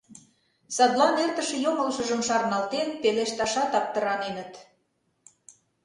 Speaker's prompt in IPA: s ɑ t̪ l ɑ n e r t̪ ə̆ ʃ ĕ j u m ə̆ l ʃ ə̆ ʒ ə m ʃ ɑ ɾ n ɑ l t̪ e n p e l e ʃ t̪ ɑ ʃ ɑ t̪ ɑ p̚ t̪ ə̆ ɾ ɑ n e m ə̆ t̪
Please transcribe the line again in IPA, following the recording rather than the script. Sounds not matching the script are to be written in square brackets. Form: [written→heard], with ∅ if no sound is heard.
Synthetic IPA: s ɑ [t̪→d̪] l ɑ n e r t̪ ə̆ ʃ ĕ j [u→o] m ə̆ l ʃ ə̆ ʒ ə m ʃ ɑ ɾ n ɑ l t̪ e n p e l e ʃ t̪ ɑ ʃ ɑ t̪ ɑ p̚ t̪ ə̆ ɾ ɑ n e [m→n] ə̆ t̪

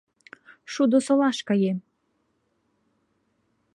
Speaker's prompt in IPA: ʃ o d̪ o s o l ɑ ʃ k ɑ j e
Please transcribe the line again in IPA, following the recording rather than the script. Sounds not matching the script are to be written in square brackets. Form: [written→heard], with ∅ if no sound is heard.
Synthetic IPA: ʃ [o→u] d̪ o s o l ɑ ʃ k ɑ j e

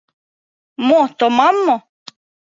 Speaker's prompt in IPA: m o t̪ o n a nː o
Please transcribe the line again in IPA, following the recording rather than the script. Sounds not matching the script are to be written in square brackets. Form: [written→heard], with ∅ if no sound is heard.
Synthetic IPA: m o t̪ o [n→m] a [nː→mː] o

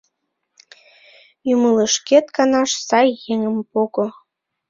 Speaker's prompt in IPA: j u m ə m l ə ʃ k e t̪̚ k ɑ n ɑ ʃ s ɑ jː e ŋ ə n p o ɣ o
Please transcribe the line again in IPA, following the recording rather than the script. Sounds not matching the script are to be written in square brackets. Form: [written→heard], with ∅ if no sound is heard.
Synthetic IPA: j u m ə [m→∅] l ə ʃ k e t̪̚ k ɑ n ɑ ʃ s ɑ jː e ŋ ə [n→m] p o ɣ o

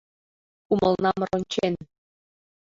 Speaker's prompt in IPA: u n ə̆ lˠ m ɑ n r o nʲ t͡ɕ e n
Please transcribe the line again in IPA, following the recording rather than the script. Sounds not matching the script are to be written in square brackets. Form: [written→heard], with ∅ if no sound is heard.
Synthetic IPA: u [n→m] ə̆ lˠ [m→n] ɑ [n→m] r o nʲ t͡ɕ e n

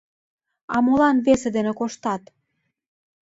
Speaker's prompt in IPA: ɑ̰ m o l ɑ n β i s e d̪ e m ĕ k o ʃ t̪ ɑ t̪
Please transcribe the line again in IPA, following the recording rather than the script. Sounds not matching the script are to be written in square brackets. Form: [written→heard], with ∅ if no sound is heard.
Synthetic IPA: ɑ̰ m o l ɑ n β [i→e] s e d̪ e [m→n] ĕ k o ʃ t̪ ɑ t̪

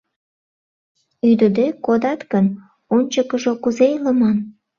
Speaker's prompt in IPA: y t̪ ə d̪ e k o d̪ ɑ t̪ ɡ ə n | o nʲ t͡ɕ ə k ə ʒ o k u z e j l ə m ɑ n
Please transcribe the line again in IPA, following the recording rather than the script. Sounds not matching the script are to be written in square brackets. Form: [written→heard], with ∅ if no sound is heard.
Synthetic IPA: y [t̪→d̪] ə d̪ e k o d̪ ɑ t̪ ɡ ə n | o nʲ t͡ɕ ə k ə ʒ o k u z e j l ə m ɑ n

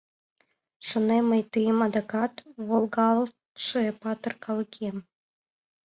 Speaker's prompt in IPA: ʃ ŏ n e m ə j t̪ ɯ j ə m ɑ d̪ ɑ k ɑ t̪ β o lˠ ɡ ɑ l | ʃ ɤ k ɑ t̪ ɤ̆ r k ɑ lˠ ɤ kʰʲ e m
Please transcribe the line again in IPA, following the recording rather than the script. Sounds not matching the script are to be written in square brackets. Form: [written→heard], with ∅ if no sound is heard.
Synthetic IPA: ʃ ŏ n e m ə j t̪ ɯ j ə m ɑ d̪ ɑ k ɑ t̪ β o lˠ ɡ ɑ l | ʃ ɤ [k→p] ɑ t̪ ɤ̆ r k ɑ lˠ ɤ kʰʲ e m

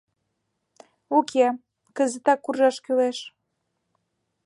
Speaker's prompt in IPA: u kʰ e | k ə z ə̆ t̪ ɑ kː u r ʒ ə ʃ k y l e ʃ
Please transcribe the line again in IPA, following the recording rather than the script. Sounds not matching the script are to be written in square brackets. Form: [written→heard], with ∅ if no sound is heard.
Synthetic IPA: u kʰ e | k ə z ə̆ t̪ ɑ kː u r ʒ [ə→ɑ] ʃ k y l e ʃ

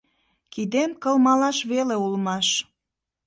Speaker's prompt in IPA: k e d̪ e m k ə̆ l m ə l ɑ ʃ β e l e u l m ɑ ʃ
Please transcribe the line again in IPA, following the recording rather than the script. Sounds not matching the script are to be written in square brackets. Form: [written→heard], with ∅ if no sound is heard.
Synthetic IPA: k [e→i] d̪ e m k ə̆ l m [ə→ɑ] l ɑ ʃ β e l e u l m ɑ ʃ

